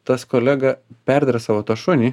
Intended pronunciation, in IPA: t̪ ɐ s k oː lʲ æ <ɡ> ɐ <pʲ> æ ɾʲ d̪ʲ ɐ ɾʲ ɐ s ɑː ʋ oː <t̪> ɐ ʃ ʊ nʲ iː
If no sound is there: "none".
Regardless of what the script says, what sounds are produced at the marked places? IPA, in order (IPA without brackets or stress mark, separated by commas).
ɡ, pʲ, t̪